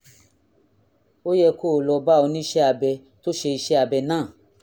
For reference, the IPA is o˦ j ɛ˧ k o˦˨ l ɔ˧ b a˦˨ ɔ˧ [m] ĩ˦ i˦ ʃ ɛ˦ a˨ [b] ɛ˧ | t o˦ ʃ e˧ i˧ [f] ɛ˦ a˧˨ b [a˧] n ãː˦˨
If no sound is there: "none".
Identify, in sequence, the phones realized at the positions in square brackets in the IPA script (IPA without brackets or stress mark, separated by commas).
n, b, ʃ, ɛ˧